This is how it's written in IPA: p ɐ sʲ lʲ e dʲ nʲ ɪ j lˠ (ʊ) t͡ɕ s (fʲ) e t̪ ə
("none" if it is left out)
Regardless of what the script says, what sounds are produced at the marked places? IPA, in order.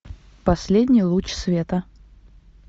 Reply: u, vʲ

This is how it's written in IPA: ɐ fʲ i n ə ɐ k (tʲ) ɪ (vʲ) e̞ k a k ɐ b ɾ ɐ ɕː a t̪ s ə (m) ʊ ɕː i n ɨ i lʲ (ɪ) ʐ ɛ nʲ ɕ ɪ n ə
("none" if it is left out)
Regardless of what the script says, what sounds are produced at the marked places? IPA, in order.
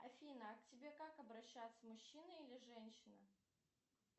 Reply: tʲ, bʲ, m, ɪ

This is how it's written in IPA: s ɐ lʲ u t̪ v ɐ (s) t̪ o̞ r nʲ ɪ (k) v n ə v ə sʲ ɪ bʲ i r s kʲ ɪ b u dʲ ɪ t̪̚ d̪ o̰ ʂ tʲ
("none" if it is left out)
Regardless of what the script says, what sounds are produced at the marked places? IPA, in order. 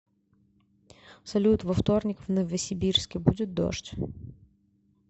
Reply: f, k

